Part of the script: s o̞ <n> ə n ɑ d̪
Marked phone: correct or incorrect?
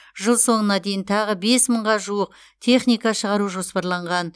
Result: incorrect